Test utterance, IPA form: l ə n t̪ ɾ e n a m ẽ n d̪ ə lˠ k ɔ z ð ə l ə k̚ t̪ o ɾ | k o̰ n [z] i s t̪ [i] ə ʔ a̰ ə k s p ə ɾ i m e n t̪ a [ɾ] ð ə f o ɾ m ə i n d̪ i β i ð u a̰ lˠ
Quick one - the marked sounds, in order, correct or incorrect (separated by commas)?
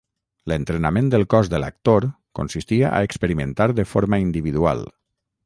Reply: incorrect, correct, correct